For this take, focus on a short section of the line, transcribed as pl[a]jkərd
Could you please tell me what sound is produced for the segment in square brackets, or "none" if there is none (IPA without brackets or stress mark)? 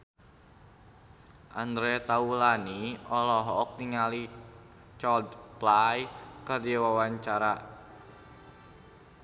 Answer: a